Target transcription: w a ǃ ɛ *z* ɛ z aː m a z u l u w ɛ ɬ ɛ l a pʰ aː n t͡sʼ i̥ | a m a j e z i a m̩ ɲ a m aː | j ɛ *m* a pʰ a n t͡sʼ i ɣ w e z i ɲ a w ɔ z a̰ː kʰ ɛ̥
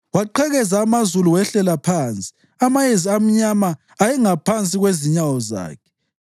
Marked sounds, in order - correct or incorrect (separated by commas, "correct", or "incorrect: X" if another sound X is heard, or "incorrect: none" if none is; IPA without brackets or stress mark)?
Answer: incorrect: ɣ, incorrect: ŋ